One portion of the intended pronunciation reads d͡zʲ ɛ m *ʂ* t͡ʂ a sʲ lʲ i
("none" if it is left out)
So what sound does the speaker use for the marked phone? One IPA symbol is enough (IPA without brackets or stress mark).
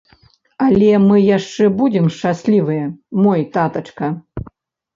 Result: ʂ